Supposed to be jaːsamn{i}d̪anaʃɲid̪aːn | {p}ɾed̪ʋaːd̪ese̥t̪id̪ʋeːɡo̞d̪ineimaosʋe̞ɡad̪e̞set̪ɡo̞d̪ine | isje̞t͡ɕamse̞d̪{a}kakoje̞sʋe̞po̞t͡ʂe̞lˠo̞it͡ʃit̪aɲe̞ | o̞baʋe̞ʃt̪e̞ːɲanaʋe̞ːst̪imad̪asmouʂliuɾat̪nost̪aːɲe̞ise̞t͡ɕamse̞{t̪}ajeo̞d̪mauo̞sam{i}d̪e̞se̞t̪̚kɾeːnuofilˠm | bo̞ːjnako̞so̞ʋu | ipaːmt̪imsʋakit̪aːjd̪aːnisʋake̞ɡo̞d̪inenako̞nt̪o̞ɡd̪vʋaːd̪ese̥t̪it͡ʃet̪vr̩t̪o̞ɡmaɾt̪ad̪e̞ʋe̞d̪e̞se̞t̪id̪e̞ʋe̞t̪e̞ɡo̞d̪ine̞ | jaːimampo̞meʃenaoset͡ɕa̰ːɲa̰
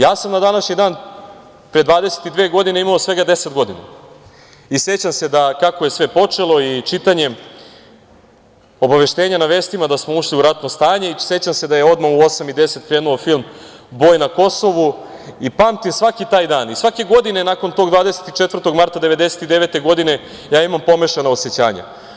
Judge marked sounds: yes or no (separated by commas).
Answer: no, yes, yes, no, yes